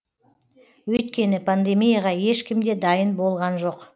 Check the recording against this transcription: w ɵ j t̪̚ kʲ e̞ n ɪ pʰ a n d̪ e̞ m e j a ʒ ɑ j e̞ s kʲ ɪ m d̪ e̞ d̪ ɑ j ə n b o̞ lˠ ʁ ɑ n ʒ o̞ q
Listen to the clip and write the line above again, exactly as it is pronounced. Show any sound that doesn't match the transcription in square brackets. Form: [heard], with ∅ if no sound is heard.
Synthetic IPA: w ɵ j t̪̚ kʲ e̞ n ɪ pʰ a n d̪ e̞ m [i] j a [ʁ] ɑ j e̞ [ʃ] kʲ ɪ m d̪ e̞ d̪ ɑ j ə n b o̞ lˠ ʁ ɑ n ʒ o̞ q